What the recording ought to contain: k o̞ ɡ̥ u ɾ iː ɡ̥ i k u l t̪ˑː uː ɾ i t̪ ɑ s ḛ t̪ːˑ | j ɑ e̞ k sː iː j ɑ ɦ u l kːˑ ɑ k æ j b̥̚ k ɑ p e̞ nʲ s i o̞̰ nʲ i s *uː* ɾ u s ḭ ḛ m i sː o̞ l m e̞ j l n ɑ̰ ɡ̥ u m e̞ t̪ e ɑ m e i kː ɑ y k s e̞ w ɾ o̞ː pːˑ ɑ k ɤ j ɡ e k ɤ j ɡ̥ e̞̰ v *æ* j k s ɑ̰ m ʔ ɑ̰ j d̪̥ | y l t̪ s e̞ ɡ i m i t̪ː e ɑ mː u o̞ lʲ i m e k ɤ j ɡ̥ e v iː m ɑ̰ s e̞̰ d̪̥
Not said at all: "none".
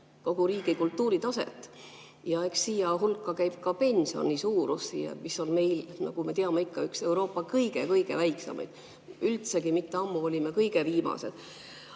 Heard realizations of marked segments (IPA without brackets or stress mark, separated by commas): uː, æ